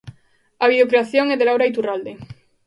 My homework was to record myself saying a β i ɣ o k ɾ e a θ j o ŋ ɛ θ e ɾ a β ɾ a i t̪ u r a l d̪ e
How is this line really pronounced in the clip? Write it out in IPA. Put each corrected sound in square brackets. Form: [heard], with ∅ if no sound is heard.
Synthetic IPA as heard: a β i [ð] o k ɾ e a θ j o ŋ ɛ [ð] e [l] a [w] ɾ a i t̪ u r a l d̪ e